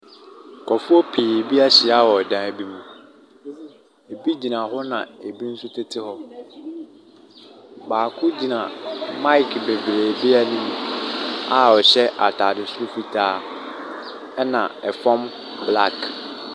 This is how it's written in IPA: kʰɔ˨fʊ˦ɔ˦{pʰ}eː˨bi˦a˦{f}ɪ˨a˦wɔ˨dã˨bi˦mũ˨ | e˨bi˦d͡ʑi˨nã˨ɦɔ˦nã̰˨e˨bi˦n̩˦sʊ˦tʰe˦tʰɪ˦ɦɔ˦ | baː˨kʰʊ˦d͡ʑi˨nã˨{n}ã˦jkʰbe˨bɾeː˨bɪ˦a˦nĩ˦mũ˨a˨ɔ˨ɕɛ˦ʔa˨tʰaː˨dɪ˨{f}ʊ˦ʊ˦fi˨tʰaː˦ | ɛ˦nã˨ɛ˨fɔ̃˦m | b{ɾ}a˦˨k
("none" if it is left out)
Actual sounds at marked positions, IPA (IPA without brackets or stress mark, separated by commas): pʰ, ɕ, m, s, l